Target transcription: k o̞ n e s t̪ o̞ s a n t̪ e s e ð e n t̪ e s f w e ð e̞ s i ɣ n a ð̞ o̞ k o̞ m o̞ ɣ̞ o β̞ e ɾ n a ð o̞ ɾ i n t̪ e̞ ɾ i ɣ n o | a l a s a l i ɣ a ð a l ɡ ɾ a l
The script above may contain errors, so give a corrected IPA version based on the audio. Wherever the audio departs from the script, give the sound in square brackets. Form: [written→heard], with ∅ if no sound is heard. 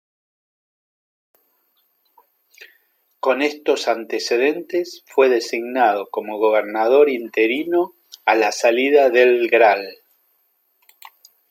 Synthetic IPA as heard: k o̞ n e s t̪ o̞ s a n t̪ e s e ð e n t̪ e s f w e ð e̞ s i ɣ n a ð̞ o̞ k o̞ m o̞ ɣ̞ o β̞ e ɾ n a ð o̞ ɾ i n t̪ e̞ ɾ i [ɣ→∅] n o | a l a s a l i [ɣ→ð] a ð [a→e] l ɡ ɾ a l